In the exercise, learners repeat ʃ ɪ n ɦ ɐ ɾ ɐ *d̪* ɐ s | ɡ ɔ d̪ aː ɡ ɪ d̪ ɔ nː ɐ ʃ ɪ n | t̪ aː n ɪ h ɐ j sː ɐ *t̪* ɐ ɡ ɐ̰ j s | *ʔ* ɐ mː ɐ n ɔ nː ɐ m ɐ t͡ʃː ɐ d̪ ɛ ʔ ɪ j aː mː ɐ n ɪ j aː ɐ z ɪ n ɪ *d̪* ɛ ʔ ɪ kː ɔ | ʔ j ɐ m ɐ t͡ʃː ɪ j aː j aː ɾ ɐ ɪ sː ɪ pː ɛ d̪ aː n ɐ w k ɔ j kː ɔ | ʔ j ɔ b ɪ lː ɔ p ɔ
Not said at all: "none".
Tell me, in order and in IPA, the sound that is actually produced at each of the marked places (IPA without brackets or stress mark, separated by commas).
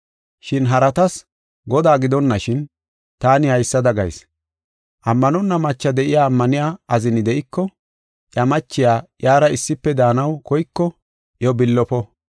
t̪, d̪, ʔ, d̪